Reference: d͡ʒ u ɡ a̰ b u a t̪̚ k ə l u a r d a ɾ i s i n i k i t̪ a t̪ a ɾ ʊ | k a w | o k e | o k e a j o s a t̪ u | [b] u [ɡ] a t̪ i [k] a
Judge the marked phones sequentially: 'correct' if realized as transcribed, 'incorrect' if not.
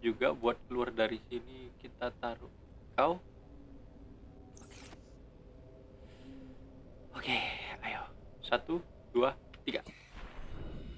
incorrect: d, incorrect: none, incorrect: ɡ

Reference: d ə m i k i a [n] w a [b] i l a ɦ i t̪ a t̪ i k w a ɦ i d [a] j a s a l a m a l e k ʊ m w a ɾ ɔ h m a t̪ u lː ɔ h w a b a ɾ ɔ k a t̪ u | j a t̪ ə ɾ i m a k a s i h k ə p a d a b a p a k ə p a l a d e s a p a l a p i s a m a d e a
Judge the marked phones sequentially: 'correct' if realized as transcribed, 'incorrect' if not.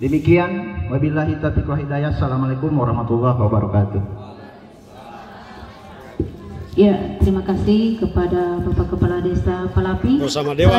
correct, correct, correct

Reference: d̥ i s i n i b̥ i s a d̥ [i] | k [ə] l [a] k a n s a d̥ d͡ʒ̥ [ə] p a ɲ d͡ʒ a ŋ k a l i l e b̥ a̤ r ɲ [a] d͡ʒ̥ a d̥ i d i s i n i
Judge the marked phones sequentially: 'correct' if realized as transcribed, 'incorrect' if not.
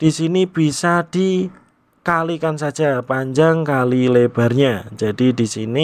correct, incorrect: a, incorrect: i, incorrect: a, correct

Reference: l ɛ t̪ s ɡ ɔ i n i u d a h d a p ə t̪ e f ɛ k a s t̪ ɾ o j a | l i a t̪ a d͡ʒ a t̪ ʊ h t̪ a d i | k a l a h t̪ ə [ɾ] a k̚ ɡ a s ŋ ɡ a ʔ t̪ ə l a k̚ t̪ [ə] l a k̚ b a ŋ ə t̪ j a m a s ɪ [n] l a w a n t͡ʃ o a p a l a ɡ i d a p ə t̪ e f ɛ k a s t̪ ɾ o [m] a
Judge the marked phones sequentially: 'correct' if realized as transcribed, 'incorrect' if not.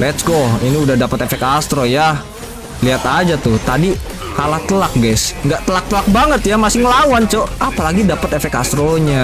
incorrect: l, correct, incorrect: ŋ, incorrect: ɲ

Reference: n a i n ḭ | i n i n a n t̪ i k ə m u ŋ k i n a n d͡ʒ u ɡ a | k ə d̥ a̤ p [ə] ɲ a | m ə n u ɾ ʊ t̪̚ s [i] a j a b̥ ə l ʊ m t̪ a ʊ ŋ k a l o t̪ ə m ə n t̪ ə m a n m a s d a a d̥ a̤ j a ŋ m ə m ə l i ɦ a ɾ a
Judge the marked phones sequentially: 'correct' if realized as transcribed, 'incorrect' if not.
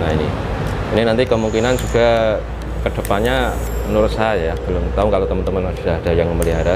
incorrect: a, incorrect: a

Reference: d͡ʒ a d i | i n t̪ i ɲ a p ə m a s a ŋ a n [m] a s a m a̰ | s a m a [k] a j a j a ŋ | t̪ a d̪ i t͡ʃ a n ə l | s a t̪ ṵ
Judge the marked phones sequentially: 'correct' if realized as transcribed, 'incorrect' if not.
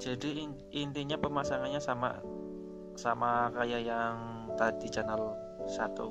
incorrect: ɲ, correct

